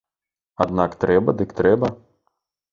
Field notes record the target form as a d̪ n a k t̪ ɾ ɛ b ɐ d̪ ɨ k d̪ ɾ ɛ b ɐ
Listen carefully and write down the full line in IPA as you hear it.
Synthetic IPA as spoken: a d̪ n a k t̪ ɾ ɛ b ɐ d̪ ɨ k t̪ ɾ ɛ b ɐ